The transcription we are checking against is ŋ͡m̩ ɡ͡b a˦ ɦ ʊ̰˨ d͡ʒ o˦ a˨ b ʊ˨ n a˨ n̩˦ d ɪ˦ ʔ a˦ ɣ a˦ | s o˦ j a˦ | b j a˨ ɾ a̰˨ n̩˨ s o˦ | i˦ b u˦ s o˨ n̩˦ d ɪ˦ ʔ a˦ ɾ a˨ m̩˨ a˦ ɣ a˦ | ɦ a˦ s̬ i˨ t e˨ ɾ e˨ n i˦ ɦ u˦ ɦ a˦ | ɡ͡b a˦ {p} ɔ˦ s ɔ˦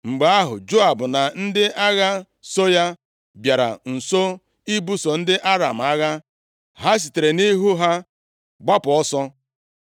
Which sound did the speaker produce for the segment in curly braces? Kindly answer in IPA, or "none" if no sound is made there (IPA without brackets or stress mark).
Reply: p